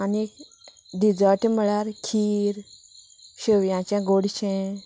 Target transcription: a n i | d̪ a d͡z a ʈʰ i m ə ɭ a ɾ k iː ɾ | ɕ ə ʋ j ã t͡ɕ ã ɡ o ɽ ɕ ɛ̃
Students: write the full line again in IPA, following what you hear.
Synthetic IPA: a n i | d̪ i d͡z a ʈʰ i m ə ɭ a ɾ kʰ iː ɾ | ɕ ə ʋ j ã t͡ɕ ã ɡ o ɽ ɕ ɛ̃